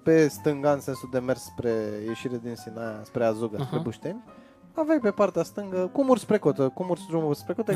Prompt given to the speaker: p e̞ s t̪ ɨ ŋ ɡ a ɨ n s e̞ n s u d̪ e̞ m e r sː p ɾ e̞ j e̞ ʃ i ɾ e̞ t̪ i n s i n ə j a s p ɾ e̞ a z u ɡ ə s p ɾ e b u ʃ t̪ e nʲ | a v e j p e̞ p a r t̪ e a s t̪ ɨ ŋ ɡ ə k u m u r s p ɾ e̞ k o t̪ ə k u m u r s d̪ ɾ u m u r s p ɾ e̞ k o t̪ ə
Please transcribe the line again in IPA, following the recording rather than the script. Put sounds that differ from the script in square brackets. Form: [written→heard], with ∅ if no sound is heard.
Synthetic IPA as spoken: p e̞ s t̪ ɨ ŋ ɡ a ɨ n s e̞ n s u d̪ e̞ m e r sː p ɾ e̞ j e̞ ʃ i ɾ e̞ [t̪→d̪] i n s i n [ə→a] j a s p ɾ e̞ a z u ɡ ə s p ɾ e b u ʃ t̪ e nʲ | a v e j p e̞ p a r t̪ e a s t̪ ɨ ŋ ɡ ə k u m u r s p ɾ e̞ k o t̪ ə k u m u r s d̪ ɾ u m u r s p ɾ e̞ k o t̪ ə